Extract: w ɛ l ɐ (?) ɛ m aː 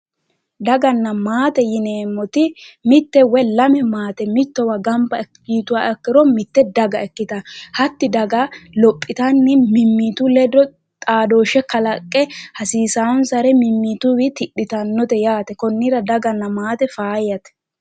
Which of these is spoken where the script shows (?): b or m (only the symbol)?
m